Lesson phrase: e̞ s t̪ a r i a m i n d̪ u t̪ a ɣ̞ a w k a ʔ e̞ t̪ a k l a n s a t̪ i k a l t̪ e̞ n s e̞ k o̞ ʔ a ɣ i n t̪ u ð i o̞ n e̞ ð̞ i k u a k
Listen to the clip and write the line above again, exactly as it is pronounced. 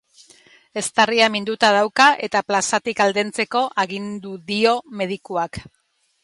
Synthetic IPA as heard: e̞ s t̪ a r i a m i n d̪ u t̪ a ð̞ a w k a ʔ e̞ t̪ a p l a s a t̪ i k a l d̪ e̞ n t͡s e̞ k o̞ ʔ a ɣ i n d̪ u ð i o̞ m e̞ ð̞ i k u a k

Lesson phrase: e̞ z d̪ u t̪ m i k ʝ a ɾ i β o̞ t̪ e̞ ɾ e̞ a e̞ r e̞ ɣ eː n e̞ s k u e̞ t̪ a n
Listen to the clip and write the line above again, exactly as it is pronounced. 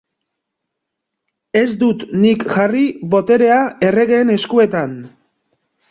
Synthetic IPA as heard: e̞ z d̪ u t̪ n i k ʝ a r i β o̞ t̪ e̞ ɾ e̞ a e̞ r e̞ ɣ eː n e̞ s k u e̞ t̪ a n

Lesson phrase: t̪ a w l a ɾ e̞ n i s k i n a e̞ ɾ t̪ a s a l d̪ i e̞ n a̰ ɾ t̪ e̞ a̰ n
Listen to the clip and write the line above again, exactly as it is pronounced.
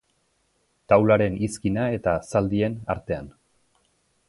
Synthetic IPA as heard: t̪ a w l a ɾ e̞ n i s k i n a e̞ t̪ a s a l d̪ i e̞ n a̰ ɾ t̪ e̞ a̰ n

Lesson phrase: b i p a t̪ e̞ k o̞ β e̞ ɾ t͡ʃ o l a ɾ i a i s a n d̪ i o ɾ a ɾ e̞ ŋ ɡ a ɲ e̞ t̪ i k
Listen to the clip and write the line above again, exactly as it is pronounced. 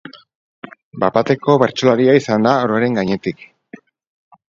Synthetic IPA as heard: b a p a t̪ e̞ k o̞ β e̞ ɾ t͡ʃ o l a ɾ i a i s a n d̪ a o ɾ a ɾ e̞ ŋ ɡ a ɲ e̞ t̪ i k

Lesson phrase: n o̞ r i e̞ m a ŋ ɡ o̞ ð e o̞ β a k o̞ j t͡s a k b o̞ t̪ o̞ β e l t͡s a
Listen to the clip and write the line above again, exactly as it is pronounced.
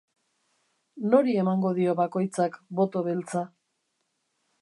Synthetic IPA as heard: n o̞ ɾ i e̞ m a ŋ ɡ o̞ ð i o̞ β a k o̞ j t͡s a k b o̞ t̪ o̞ β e l t͡s a

